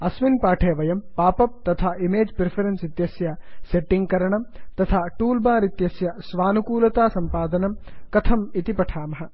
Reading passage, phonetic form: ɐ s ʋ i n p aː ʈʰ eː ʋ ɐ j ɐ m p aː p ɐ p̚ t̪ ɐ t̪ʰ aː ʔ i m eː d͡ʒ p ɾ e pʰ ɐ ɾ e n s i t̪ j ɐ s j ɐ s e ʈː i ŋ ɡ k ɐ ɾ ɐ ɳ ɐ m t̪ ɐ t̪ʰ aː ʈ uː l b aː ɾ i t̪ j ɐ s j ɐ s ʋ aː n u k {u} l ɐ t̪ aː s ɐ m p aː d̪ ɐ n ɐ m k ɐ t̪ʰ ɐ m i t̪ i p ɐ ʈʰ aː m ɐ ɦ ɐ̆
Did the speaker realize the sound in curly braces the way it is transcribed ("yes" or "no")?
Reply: no